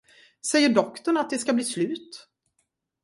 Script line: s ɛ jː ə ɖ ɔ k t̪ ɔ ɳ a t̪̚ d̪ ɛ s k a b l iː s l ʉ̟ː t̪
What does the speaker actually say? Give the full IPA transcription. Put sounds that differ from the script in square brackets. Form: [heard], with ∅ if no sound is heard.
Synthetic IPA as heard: s ɛ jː ə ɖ ɔ k t̪ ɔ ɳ a t̪̚ d̪ ɛ s k a b l iː s l ʉ̟ː t̪